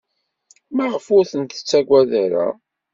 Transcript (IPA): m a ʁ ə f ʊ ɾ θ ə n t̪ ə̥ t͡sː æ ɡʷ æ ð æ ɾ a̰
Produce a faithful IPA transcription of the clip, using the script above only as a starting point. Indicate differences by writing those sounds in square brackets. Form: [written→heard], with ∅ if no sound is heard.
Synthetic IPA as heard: m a ʁ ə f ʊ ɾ θ ə n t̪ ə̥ t͡sː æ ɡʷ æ ð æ ɾ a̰